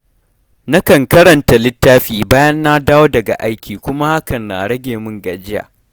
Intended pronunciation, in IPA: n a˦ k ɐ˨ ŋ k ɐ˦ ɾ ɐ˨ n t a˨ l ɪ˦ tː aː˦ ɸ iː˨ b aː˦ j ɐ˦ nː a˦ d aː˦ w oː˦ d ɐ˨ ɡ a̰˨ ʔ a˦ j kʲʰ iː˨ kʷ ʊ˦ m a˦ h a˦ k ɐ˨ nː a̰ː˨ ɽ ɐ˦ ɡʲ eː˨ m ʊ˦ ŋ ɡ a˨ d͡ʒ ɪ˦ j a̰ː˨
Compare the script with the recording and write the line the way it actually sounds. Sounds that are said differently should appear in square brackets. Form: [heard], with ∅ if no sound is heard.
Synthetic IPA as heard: n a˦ k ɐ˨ ŋ k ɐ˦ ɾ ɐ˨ n t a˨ l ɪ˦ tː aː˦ ɸ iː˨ b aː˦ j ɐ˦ nː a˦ d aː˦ w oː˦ d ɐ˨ ɡ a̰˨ ʔ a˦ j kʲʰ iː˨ kʷ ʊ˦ m a˦ h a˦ k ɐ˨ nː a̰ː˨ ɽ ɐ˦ ɡʲ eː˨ m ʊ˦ ŋ ɡ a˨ d͡ʒ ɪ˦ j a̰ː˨